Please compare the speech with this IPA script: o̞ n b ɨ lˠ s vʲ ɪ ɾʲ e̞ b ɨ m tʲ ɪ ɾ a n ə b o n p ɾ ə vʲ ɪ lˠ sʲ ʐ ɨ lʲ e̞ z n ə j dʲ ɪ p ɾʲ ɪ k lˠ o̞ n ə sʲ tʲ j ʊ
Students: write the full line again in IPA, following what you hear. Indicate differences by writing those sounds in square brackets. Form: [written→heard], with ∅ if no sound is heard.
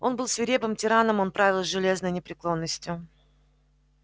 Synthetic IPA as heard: o̞ n b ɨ lˠ s vʲ ɪ ɾʲ e̞ b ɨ m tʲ ɪ ɾ a n ə [b→m] o n p ɾ [ə→a] vʲ ɪ lˠ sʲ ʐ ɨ lʲ e̞ z n ə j [dʲ→nʲ] ɪ p ɾʲ ɪ k lˠ o̞ [n→nː] ə sʲ tʲ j ʊ